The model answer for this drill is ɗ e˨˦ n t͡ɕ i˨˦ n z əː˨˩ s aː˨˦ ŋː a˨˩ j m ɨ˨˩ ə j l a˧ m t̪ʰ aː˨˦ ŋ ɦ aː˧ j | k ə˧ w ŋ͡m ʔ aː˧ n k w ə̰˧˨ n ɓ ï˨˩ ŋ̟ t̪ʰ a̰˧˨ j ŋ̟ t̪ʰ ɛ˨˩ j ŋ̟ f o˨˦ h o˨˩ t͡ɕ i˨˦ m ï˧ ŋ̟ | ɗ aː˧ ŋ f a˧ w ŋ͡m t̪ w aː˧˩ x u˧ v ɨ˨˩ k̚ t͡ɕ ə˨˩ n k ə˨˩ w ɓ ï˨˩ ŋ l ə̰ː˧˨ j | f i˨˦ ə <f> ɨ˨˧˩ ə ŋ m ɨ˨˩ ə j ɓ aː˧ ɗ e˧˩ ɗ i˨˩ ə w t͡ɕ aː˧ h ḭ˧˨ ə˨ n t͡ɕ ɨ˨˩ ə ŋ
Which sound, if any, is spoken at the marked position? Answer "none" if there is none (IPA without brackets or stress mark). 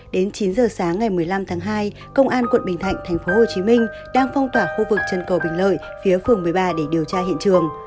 f